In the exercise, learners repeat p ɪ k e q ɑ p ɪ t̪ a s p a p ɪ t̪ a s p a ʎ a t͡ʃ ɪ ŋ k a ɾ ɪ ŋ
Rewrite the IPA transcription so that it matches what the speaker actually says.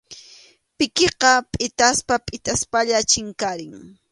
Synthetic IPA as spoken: p ɪ k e q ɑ pʼ ɪ t̪ a s p a pʼ ɪ t̪ a s p a ʎ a t͡ʃ ɪ ŋ k a ɾ ɪ ŋ